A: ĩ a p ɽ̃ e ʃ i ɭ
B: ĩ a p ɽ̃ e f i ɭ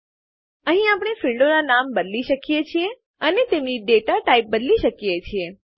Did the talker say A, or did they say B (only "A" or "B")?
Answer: B